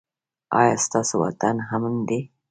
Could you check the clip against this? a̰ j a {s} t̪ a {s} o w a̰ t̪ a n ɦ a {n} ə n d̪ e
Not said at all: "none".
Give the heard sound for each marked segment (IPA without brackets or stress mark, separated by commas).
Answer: s, s, m